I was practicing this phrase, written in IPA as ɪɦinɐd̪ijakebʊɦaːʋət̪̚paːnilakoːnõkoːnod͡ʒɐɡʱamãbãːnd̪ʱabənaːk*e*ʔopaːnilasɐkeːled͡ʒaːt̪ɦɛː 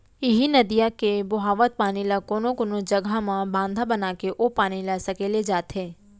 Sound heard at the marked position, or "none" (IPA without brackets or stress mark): e